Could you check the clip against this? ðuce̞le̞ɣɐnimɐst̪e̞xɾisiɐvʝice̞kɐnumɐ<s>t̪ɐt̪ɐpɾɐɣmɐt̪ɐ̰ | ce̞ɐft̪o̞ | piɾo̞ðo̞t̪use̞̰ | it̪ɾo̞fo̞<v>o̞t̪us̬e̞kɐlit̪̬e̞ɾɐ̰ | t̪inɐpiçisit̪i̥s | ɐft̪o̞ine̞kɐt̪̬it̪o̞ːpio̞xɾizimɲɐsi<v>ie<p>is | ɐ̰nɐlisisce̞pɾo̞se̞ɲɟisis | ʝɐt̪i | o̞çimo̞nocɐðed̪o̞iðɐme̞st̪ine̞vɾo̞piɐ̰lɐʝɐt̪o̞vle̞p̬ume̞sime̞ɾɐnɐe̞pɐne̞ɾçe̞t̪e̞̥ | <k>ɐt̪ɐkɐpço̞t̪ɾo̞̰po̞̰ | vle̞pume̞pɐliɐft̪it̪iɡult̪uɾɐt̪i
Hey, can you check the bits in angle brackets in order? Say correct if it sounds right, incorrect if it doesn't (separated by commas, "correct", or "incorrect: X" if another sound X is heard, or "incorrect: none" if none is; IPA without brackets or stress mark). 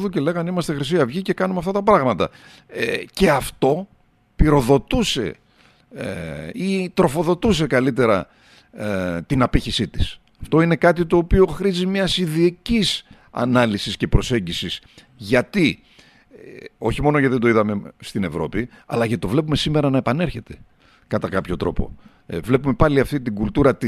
incorrect: f, incorrect: ð, incorrect: ð, incorrect: c, correct